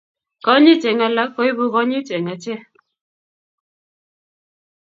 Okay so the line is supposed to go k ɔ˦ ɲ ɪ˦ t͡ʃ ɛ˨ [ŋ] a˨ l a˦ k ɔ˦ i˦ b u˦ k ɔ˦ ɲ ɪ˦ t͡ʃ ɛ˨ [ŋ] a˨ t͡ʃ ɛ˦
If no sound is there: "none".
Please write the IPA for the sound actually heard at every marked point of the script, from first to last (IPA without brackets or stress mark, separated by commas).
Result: ŋ, ŋ